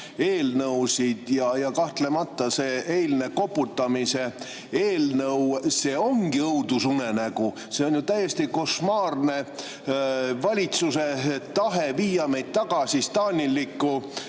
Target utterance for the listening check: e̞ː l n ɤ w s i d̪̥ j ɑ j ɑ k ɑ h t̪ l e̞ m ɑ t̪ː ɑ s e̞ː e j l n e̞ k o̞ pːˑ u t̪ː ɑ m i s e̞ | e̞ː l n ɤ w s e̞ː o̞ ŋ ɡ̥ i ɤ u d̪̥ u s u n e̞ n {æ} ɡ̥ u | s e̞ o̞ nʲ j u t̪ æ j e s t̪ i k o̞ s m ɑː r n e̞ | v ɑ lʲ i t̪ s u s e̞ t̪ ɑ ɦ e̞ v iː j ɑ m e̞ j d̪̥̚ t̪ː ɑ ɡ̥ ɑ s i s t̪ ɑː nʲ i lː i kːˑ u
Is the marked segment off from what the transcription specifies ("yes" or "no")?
no